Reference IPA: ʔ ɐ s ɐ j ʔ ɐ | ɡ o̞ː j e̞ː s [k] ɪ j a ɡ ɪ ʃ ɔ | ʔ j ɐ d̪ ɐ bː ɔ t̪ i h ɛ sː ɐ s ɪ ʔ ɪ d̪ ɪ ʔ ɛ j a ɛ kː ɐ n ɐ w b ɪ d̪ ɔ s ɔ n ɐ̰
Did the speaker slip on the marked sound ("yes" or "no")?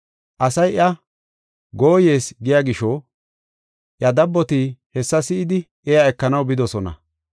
yes